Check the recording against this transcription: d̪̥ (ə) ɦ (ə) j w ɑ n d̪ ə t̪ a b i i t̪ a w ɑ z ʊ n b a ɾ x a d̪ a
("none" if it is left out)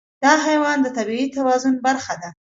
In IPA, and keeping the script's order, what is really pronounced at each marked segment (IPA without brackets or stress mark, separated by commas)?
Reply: ɑ, a